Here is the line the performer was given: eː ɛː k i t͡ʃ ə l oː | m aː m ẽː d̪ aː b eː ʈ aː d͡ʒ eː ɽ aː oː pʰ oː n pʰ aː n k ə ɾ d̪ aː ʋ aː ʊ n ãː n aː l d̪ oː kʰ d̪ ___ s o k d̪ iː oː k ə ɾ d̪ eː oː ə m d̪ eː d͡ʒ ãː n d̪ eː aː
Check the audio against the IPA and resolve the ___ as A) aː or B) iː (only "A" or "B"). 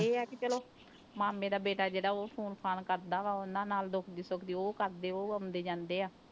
B